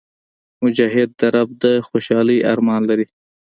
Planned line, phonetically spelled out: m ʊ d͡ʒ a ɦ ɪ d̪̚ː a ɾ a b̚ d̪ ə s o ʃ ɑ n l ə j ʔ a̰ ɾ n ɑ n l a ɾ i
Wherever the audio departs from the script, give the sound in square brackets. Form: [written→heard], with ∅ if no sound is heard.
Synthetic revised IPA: m ʊ d͡ʒ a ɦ ɪ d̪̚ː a ɾ a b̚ d̪ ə [s→x] o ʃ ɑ [n→∅] l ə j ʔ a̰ ɾ [n→m] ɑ n l a ɾ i